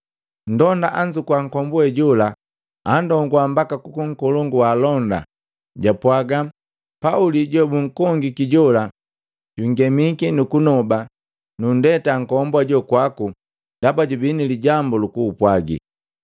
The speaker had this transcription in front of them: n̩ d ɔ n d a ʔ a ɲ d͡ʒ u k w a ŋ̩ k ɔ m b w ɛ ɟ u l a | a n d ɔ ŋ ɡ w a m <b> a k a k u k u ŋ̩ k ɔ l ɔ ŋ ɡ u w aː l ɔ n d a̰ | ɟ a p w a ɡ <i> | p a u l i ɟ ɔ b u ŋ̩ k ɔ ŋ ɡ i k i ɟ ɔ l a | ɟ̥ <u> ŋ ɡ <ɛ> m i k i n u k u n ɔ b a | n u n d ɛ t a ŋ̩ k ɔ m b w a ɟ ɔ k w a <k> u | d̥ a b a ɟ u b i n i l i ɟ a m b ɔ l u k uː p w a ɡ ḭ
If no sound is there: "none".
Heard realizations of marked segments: b, a, u, ɛ, k

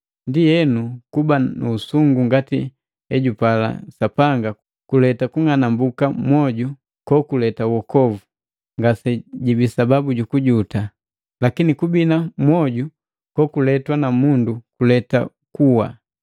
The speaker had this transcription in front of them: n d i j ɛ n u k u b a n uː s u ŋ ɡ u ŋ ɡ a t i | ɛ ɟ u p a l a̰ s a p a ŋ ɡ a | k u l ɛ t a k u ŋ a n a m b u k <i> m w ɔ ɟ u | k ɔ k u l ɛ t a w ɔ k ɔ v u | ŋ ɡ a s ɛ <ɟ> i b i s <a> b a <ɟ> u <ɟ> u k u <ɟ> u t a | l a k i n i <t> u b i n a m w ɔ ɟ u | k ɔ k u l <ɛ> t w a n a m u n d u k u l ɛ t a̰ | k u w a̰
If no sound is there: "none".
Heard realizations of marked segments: a, ɟ, a, b, ɟ, ɟ, k, ɛ

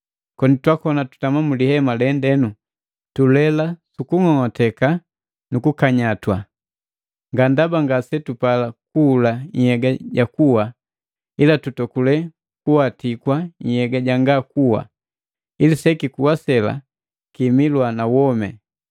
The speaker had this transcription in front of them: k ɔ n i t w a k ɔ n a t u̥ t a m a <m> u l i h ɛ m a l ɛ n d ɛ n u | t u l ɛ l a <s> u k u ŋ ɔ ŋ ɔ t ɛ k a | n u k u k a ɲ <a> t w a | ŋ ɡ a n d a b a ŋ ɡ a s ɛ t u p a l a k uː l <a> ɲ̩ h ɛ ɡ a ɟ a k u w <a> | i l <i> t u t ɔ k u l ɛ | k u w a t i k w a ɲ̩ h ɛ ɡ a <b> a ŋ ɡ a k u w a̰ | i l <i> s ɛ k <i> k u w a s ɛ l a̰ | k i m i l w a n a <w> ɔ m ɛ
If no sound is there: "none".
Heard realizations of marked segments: m, s, a, a, a, a, ɟ, i, i, w

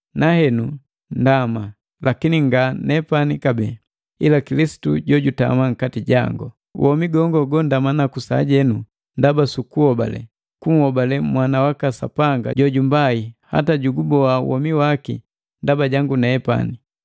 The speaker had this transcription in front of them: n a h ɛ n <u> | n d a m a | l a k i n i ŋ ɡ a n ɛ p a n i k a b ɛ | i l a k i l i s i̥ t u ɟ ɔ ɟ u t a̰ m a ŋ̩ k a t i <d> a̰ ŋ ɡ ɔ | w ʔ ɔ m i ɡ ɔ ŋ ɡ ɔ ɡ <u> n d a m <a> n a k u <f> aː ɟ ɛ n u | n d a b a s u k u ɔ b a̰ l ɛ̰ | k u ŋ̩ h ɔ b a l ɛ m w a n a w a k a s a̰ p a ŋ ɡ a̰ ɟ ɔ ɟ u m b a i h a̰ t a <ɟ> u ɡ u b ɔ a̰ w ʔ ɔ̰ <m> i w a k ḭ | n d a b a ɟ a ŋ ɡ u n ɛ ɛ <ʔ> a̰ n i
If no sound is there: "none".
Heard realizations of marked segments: u, ɟ, ɔ, a, s, ɟ, m, p

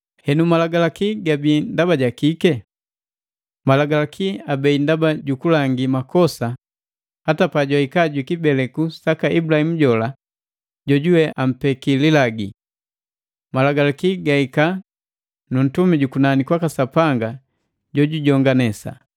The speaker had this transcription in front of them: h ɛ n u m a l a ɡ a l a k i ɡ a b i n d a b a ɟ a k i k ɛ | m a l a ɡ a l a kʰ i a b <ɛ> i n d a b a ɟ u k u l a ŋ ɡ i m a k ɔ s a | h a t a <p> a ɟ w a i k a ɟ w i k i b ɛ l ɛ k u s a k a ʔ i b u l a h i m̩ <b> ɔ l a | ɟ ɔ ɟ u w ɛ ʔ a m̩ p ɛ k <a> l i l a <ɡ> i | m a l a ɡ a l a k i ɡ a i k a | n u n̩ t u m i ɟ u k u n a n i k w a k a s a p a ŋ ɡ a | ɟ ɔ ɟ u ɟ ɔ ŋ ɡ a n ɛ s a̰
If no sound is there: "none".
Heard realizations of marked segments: ɛ, p, ɟ, i, ɡ

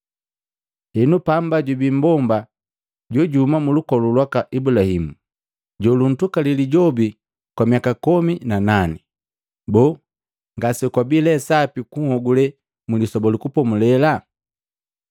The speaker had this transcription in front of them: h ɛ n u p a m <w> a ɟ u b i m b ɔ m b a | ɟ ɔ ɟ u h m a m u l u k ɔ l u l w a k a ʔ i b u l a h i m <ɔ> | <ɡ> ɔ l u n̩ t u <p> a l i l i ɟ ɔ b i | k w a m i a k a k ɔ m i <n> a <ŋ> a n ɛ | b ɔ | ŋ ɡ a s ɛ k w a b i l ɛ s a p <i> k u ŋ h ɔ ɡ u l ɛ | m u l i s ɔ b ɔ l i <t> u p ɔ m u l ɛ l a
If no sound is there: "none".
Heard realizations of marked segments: b, u, ɟ, k, n, n, i, k

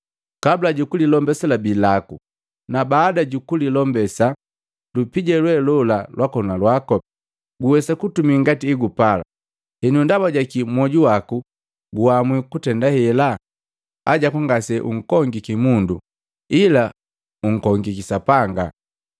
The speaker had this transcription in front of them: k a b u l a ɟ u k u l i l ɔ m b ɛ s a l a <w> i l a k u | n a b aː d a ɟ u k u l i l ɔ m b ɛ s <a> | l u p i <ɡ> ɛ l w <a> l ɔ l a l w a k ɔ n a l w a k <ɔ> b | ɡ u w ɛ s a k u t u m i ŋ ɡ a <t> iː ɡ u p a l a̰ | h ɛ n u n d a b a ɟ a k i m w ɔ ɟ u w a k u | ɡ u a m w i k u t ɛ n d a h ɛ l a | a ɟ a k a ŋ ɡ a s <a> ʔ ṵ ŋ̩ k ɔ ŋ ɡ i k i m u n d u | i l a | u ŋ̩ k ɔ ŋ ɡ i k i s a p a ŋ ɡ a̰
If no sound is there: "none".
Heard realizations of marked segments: b, a, ɟ, ɛ, ɔ, t, ɛ

